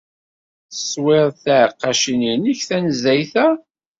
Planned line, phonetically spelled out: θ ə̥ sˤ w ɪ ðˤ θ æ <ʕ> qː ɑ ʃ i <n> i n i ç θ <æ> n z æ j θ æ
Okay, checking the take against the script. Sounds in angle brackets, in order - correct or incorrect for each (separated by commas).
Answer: correct, correct, correct